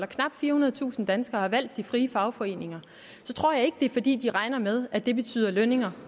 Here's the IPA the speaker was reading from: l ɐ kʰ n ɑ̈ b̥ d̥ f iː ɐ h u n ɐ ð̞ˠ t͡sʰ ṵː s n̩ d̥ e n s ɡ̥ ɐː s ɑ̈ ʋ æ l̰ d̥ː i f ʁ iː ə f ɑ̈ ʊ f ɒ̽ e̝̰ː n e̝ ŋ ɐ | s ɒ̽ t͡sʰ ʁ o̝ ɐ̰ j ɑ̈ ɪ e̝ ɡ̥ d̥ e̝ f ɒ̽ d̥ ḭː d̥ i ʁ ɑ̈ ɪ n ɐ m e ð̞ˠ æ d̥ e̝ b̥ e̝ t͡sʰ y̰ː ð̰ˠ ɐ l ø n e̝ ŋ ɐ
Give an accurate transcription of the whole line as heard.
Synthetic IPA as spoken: l ɐ kʰ n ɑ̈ b̥ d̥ f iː ɐ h u n ɐ ð̞ˠ t͡sʰ ṵː s n̩ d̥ æ n s ɡ̥ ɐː h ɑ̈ ʋ æ l̰ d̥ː i f ʁ iː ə f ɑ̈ ʊ f ɒ̽ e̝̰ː n e̝ ŋ ɐ | s ɒ̽ t͡sʰ ʁ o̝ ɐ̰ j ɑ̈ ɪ e̝ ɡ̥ d̥ e̝ f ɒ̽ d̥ ḭː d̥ i ʁ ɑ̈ ɪ n ɐ m e ð̞ˠ æ d̥ e̝ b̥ e̝ t͡sʰ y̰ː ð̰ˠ ɐ l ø n e̝ ŋ ɐ